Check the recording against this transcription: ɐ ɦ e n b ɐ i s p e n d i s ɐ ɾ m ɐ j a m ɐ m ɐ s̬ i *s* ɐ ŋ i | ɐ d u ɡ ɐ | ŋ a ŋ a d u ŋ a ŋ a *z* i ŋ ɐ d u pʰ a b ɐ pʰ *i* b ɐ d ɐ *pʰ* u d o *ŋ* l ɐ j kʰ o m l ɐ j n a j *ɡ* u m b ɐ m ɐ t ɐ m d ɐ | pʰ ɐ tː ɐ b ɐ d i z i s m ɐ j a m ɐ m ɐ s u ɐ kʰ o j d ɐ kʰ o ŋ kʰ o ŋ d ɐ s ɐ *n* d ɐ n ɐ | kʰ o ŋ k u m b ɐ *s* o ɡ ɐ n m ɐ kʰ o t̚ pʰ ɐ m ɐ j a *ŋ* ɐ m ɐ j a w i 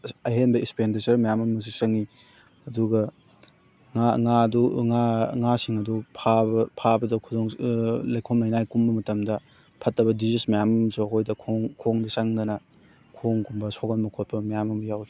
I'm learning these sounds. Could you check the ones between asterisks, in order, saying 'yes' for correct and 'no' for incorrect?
yes, no, no, no, yes, no, no, yes, no

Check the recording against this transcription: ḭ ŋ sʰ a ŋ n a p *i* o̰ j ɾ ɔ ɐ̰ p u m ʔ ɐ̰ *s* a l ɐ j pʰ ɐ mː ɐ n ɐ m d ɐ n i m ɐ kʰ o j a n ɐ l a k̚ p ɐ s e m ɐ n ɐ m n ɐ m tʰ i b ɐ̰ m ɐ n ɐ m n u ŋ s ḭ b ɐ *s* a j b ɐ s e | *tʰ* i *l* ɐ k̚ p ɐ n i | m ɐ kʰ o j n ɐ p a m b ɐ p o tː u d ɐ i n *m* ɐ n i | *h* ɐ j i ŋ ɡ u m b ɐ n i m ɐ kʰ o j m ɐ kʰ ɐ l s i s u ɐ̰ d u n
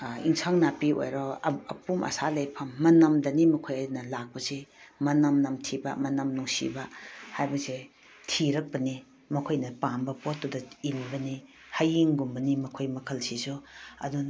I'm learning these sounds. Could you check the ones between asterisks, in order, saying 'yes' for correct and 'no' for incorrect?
yes, yes, no, yes, no, no, yes

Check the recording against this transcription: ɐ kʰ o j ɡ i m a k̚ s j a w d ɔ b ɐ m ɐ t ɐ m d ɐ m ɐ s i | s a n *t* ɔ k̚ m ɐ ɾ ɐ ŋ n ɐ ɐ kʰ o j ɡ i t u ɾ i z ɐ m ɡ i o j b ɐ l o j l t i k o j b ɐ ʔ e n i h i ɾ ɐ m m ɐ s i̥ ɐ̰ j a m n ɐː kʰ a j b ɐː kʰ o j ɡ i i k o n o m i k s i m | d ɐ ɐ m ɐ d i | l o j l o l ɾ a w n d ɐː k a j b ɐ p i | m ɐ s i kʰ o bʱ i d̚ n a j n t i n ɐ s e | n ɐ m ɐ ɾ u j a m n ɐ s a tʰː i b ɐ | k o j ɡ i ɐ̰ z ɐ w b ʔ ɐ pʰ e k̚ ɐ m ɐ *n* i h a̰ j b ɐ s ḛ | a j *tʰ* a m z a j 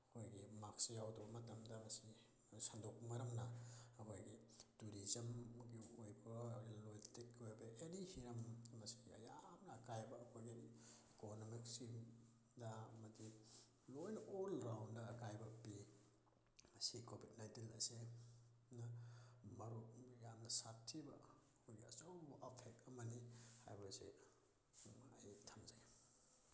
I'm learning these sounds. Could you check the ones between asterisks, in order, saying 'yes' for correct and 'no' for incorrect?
no, yes, yes

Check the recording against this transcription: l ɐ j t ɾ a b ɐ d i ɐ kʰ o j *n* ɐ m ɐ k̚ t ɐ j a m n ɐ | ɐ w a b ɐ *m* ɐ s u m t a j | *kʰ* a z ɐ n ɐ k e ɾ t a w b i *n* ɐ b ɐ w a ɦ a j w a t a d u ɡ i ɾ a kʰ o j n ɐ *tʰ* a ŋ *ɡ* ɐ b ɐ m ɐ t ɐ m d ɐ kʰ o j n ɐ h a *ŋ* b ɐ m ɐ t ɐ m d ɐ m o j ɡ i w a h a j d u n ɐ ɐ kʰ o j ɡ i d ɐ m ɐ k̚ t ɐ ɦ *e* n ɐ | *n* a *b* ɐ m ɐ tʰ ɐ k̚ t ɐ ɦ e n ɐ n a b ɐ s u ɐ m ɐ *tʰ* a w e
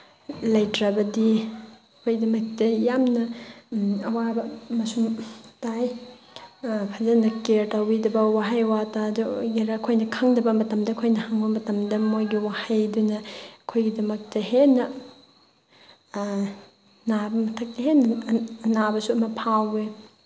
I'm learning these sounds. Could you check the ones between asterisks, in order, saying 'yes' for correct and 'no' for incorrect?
no, yes, no, no, no, no, yes, yes, yes, yes, no

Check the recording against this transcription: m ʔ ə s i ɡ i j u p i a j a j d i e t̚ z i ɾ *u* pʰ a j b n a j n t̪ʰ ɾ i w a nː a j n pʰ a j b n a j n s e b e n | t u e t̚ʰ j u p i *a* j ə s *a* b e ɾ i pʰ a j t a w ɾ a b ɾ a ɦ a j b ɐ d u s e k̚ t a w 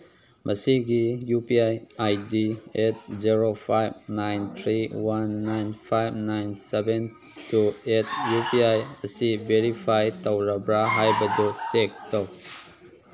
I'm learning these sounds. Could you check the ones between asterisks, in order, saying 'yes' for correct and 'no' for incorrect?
no, yes, no

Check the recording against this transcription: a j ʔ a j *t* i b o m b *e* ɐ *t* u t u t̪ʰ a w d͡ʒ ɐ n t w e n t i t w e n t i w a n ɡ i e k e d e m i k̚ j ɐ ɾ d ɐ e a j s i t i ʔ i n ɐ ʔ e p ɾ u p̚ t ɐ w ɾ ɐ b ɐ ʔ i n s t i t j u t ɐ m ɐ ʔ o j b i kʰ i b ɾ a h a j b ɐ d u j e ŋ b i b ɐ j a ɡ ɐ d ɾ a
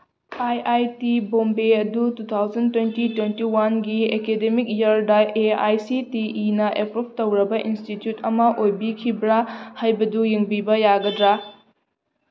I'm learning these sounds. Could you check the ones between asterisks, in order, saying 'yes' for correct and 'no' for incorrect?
yes, yes, no

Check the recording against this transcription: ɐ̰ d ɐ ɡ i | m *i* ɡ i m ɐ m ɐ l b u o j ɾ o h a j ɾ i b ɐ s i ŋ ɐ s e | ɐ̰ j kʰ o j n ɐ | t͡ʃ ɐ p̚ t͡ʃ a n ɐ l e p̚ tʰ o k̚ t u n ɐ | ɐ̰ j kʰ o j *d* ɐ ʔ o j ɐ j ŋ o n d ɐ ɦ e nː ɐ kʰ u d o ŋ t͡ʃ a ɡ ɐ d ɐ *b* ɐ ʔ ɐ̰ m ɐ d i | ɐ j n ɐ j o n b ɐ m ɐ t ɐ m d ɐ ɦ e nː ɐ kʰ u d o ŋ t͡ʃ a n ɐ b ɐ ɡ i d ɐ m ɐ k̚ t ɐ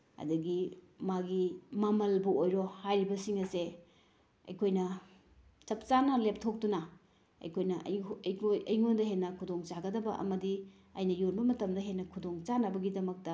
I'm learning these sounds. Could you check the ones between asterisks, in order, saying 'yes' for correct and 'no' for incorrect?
no, no, yes

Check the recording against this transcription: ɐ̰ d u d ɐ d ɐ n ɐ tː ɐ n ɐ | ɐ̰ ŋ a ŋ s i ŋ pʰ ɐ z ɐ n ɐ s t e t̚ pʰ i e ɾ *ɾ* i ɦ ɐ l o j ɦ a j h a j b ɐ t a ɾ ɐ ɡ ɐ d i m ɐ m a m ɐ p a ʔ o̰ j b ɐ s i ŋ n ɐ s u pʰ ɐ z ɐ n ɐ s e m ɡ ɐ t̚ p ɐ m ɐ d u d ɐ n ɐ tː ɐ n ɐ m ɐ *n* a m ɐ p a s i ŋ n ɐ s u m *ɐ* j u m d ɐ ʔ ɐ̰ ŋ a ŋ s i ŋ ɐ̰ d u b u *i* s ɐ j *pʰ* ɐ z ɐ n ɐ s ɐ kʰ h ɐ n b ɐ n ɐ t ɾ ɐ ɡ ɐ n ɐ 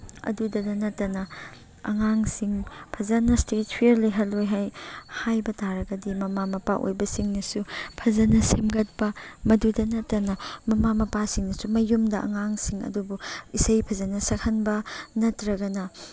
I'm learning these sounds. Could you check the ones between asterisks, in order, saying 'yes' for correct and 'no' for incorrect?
no, no, yes, yes, yes

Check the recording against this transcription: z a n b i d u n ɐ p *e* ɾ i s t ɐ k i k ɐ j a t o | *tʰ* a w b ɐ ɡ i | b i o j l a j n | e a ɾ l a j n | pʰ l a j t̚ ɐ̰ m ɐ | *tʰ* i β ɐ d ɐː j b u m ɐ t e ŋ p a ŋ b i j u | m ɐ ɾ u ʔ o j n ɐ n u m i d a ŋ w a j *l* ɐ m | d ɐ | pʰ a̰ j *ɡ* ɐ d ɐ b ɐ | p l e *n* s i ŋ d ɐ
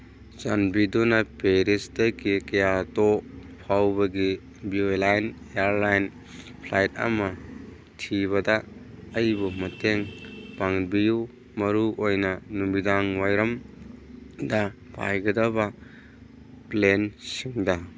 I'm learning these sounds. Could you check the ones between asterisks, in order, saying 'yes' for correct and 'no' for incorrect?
yes, no, yes, no, yes, yes

